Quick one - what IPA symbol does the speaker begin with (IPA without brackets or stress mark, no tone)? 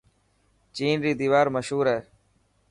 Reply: t͡ʃ